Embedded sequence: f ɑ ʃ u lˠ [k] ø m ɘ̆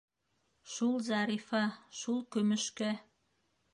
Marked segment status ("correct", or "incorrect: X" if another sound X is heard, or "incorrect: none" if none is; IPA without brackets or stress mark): correct